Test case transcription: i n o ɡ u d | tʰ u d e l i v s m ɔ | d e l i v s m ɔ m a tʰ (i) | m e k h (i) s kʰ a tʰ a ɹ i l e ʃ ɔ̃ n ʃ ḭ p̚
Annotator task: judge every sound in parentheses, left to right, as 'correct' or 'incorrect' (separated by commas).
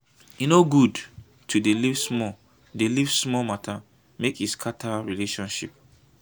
incorrect, correct